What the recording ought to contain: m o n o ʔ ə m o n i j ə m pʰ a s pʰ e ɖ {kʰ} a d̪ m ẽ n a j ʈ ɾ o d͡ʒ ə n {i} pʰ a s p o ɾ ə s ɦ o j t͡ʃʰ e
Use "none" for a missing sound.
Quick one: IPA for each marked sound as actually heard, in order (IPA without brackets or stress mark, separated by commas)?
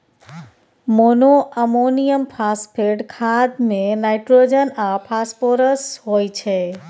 kʰ, a